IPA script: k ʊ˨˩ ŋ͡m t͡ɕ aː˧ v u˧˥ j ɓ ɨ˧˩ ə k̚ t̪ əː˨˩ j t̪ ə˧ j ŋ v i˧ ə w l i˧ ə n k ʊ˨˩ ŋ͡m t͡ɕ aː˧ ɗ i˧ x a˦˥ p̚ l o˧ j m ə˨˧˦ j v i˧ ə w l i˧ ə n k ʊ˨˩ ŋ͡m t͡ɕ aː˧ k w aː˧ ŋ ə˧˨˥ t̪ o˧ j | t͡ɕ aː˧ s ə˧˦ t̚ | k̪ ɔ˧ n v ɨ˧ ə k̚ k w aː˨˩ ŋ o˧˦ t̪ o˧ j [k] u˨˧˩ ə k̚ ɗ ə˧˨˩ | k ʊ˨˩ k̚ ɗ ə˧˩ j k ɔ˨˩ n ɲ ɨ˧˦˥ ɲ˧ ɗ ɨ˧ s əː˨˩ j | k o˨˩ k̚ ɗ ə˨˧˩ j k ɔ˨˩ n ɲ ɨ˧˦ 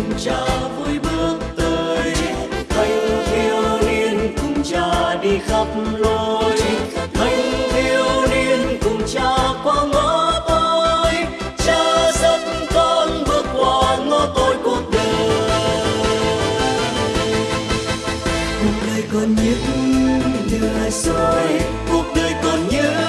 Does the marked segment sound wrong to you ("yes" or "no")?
no